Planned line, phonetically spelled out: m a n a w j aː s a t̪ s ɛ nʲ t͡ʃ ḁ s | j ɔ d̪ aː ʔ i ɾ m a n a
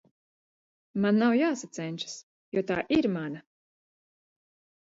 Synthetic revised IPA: m a nː a w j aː s a t̪ s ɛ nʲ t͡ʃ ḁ s | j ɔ t̪ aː ʔ i ɾ m a n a